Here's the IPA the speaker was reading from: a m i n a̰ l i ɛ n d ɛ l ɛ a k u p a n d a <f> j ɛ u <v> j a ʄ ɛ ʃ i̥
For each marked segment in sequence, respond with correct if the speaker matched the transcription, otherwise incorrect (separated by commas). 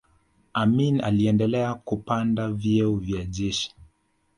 incorrect, correct